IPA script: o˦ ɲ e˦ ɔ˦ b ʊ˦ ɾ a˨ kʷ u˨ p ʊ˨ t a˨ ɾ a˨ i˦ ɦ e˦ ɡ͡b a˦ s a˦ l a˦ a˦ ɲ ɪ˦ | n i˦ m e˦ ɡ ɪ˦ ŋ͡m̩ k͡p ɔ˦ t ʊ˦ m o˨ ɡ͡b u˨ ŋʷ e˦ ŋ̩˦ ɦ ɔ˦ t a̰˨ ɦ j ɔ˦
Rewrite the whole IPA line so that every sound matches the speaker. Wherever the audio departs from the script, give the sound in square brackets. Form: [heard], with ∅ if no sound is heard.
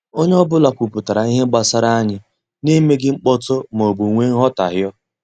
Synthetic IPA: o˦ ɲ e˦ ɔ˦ b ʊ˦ [l] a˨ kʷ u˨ p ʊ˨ t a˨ ɾ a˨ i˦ ɦ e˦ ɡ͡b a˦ s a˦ [ɾ] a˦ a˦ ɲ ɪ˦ | n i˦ m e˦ ɡ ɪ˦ ŋ͡m̩ k͡p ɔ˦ t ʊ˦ m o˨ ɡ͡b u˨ ŋʷ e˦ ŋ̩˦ ɦ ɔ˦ t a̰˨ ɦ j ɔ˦